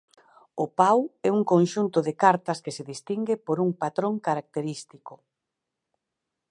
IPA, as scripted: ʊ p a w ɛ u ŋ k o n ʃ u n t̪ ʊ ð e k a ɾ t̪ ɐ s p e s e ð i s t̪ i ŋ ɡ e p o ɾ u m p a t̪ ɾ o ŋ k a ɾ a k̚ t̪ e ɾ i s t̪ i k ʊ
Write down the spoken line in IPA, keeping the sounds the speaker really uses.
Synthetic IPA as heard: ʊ p a w ɛ u ŋ k o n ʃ u n t̪ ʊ ð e k a ɾ t̪ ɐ s k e s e ð i s t̪ i ŋ ɡ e p o ɾ u ŋ p a t̪ ɾ o ŋ k a ɾ a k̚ t̪ e ɾ i s t̪ i k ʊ